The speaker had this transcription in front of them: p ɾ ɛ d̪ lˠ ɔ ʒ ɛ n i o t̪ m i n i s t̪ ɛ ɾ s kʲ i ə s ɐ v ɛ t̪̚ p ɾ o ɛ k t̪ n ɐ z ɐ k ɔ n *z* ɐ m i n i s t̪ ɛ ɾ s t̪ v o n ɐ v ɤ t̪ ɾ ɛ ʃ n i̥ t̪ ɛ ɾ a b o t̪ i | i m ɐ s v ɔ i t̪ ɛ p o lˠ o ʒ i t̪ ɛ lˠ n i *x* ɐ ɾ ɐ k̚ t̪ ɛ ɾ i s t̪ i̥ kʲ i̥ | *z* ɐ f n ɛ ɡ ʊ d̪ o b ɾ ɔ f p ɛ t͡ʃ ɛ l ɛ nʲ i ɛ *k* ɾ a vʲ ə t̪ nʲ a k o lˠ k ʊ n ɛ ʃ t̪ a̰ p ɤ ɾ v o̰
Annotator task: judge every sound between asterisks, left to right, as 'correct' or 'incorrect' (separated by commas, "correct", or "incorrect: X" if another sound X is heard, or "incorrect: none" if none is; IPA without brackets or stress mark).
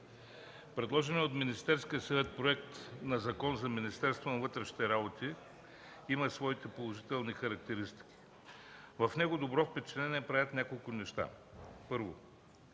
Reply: correct, correct, incorrect: v, incorrect: p